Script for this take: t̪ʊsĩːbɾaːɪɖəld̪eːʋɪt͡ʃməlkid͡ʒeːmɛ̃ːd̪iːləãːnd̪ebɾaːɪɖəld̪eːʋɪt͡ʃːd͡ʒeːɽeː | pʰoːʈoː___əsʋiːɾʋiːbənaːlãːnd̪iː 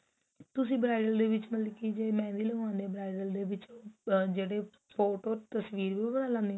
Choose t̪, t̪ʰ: t̪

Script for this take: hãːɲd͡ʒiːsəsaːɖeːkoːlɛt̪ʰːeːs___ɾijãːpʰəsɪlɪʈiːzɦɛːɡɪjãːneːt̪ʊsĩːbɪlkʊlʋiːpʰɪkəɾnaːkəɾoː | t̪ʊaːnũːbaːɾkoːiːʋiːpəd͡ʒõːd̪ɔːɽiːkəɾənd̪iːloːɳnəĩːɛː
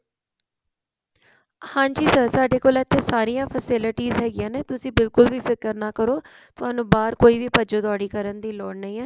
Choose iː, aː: aː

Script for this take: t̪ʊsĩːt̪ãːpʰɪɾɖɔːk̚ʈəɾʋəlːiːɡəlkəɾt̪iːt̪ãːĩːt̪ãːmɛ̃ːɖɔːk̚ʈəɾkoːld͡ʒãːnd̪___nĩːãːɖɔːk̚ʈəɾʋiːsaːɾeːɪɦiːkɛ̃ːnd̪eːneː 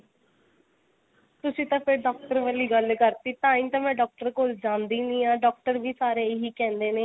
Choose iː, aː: iː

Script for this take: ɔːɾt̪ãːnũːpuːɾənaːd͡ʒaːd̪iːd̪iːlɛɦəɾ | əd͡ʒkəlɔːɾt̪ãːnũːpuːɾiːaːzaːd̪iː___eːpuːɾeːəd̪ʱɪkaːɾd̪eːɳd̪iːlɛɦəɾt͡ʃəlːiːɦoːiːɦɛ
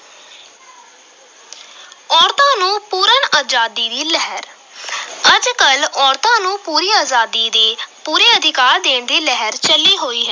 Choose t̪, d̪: d̪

